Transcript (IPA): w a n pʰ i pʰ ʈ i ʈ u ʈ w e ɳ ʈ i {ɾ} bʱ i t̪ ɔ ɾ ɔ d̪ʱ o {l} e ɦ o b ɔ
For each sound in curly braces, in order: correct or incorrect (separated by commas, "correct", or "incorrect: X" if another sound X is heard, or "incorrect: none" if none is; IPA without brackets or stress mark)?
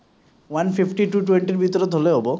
correct, correct